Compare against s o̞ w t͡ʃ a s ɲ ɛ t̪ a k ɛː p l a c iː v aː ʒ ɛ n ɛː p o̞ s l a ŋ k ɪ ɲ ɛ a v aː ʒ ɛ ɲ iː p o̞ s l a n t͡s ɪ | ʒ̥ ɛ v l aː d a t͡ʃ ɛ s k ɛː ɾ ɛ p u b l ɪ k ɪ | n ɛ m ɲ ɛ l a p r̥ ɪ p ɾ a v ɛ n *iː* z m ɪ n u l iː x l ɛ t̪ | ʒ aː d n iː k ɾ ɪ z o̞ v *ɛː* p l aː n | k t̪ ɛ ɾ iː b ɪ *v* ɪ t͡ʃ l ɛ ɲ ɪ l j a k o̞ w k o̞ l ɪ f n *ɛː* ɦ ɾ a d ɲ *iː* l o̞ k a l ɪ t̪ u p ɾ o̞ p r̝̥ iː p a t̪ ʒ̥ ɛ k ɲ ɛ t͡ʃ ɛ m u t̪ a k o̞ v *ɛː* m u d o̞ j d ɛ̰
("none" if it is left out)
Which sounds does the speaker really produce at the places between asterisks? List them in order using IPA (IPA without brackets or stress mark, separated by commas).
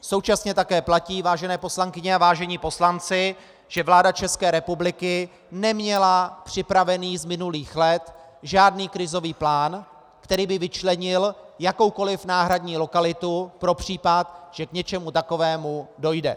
iː, iː, v, aː, iː, ɛː